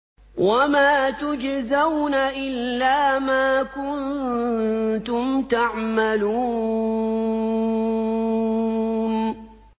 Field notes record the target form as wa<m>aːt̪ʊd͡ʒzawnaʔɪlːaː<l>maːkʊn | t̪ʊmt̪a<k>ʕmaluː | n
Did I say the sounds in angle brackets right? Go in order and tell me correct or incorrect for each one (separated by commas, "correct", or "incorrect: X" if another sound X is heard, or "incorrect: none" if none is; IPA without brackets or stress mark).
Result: correct, incorrect: none, incorrect: none